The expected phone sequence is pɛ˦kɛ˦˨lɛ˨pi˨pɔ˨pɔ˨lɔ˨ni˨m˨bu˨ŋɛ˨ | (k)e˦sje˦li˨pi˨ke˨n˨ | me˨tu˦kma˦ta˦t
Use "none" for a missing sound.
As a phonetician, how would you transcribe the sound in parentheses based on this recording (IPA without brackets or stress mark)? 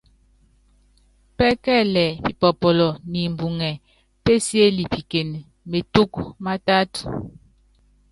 p